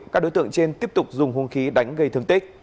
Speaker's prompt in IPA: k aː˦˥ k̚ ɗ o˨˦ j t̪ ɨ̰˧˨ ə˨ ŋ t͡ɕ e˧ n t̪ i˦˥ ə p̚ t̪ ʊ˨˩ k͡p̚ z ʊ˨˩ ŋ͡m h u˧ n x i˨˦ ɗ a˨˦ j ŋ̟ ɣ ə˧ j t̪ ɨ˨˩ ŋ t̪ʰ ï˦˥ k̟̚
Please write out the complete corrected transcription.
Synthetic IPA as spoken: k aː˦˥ k̚ ɗ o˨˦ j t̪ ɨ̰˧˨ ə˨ ŋ t͡ɕ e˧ n t̪ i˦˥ ə p̚ t̪ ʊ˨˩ k͡p̚ z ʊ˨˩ ŋ͡m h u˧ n x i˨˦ ɗ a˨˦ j ŋ̟ ɣ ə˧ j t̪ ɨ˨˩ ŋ t̪ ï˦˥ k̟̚

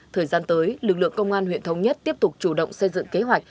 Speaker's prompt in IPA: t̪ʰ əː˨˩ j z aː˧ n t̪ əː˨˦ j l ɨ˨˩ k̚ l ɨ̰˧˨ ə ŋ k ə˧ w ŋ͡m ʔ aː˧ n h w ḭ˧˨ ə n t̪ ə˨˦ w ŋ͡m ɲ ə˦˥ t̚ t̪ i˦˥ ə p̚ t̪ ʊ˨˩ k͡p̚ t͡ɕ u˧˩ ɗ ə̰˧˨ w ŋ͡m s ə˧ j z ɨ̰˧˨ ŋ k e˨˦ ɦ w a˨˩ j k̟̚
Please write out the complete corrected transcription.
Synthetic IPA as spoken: t̪ʰ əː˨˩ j z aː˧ n t̪ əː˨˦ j l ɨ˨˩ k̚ l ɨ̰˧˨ ə ŋ k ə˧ w ŋ͡m ʔ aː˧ n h w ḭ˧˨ ə n t̪ʰ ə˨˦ w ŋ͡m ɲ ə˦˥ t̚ t̪ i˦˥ ə p̚ t̪ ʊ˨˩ k͡p̚ t͡ɕ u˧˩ ɗ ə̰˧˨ w ŋ͡m s ə˧ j z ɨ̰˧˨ ŋ k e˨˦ ɦ w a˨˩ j k̟̚

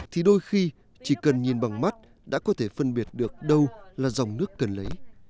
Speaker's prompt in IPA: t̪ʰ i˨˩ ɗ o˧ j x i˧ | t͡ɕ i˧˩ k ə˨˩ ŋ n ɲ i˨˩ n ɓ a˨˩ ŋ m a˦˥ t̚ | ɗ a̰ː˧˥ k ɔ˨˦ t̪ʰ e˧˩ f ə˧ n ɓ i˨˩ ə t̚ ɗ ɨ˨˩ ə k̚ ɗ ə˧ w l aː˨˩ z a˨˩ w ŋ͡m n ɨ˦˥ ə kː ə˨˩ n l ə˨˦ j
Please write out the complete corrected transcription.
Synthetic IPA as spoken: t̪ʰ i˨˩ ɗ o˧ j x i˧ | t͡ɕ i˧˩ k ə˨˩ n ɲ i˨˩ n ɓ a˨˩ ŋ m a˦˥ t̚ | ɗ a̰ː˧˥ k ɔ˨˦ t̪ʰ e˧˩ f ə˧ n ɓ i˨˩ ə t̚ ɗ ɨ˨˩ ə k̚ ɗ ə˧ w l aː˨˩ z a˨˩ w ŋ͡m n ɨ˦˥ ə kː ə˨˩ n l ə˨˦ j

